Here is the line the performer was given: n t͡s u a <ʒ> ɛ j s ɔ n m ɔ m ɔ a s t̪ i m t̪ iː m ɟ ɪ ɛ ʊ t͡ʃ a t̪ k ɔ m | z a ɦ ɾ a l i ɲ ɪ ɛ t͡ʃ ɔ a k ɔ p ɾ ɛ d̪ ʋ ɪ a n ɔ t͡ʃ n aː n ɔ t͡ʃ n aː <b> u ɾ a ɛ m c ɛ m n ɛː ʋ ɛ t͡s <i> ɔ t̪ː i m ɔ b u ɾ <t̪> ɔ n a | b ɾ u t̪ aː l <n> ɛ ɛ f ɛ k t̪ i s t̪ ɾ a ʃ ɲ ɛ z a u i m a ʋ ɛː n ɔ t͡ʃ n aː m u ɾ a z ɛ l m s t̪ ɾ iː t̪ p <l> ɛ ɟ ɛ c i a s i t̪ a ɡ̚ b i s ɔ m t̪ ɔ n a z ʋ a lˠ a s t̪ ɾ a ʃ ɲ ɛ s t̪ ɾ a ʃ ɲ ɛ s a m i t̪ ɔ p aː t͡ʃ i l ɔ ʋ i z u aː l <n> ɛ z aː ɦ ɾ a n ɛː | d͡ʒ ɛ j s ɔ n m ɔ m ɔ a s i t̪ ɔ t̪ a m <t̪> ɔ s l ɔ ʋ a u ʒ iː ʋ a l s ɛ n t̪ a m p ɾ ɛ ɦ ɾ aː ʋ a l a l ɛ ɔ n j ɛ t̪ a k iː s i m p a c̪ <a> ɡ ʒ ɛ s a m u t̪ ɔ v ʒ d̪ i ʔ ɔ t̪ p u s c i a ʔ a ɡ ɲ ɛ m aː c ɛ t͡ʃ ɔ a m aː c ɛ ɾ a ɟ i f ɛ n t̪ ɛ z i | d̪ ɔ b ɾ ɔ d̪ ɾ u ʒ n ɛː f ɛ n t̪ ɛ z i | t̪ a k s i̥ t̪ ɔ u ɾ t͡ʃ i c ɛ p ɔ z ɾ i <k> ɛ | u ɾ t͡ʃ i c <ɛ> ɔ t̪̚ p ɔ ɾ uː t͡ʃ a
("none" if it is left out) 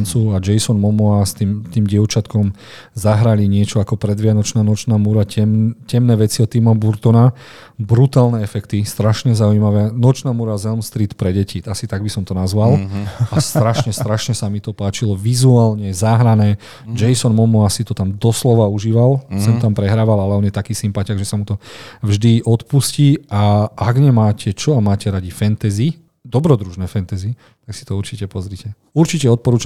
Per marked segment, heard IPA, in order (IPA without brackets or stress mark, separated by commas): d͡ʒ, m, i, t̪, n, ɾ, ɲ, d̪, a, c, ɛ